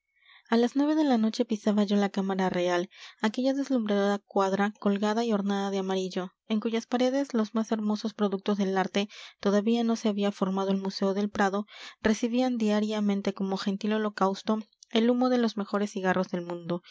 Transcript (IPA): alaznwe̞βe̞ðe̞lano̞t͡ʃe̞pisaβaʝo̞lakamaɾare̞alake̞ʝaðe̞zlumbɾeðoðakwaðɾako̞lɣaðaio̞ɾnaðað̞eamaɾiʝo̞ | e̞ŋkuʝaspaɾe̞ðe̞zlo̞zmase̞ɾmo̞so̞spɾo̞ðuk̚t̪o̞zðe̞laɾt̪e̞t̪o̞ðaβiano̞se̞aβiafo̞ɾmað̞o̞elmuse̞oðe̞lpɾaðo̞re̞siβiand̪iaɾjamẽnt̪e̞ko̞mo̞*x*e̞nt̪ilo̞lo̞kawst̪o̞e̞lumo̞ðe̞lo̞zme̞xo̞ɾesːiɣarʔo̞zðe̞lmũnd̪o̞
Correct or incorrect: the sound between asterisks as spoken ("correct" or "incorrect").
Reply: correct